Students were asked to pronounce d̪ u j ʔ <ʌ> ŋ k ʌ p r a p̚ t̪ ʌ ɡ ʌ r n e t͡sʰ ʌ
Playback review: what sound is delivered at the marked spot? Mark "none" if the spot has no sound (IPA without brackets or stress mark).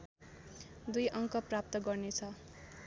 ʌ